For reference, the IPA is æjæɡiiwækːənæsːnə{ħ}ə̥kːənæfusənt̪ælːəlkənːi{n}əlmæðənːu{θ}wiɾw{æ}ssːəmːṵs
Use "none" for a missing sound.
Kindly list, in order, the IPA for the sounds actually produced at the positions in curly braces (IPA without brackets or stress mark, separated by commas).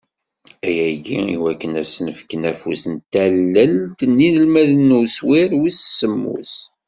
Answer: f, n, s, i